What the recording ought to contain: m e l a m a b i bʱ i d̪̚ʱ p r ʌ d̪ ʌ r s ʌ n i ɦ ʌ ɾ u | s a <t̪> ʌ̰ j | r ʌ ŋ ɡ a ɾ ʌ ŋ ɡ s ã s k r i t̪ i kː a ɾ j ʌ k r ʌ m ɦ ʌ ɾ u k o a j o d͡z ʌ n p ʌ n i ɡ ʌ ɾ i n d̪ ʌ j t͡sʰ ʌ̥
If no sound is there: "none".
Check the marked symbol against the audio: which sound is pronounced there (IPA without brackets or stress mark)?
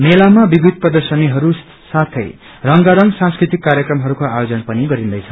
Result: t̪ʰ